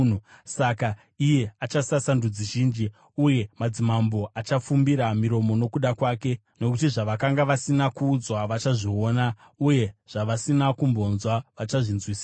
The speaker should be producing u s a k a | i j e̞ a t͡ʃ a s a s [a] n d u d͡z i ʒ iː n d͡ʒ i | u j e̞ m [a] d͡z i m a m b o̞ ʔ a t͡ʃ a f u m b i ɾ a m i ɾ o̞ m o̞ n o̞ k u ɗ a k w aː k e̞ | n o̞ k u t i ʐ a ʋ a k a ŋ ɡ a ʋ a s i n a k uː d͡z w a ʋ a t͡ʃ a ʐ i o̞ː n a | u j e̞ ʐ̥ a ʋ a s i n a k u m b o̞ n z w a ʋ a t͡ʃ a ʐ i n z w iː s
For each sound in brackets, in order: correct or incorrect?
correct, correct

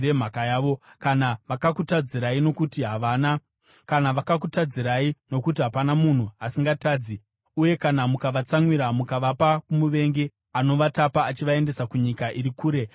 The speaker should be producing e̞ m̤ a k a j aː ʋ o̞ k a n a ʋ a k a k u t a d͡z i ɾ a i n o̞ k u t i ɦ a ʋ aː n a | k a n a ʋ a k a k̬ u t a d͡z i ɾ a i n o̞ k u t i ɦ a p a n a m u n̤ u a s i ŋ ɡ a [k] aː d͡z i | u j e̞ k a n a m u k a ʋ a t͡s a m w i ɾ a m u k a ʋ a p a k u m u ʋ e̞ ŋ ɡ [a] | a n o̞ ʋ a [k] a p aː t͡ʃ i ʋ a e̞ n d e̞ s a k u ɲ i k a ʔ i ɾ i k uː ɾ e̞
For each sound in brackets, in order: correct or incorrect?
incorrect: t, incorrect: e, incorrect: t

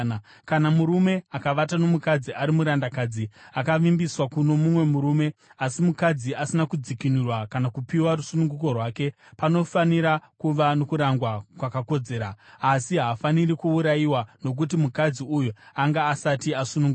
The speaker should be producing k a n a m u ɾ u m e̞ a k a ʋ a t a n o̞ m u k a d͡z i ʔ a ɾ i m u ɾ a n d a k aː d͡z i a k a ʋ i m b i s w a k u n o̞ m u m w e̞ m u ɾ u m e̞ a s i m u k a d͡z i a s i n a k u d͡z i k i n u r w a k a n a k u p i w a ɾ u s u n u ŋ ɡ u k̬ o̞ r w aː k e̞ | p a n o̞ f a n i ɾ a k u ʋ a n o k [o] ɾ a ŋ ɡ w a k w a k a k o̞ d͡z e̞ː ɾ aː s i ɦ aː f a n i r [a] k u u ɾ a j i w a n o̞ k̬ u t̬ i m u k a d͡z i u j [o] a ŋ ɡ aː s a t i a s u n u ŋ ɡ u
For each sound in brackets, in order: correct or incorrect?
incorrect: u, incorrect: i, incorrect: u

